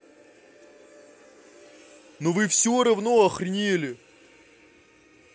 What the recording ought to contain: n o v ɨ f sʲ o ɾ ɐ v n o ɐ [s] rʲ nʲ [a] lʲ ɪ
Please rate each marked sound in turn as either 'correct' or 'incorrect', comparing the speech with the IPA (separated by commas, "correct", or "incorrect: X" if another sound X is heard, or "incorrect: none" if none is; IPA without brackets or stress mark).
incorrect: x, incorrect: e